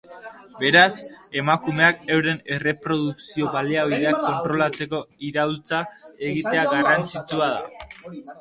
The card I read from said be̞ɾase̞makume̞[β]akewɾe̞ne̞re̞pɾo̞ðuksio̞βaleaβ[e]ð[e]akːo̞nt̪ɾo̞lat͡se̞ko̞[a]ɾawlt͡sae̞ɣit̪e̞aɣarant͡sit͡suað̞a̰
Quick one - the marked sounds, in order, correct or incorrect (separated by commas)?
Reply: incorrect, incorrect, correct, incorrect